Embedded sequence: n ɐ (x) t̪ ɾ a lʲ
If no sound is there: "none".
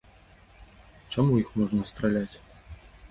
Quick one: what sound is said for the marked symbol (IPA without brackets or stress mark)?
s